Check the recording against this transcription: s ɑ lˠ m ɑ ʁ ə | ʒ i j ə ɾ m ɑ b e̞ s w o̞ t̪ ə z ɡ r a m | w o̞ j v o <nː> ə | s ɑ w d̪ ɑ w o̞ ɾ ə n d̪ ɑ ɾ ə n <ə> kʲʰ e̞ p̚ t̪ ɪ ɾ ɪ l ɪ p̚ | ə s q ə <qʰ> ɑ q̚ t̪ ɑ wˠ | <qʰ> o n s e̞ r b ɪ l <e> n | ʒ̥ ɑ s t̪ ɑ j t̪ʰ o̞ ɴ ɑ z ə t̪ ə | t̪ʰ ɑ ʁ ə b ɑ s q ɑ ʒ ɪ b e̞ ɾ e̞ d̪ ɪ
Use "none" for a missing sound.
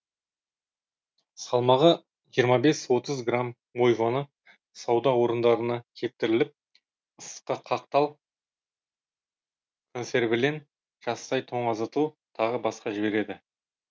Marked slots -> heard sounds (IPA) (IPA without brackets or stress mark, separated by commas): n, ɑ, qʰ, kʰ, e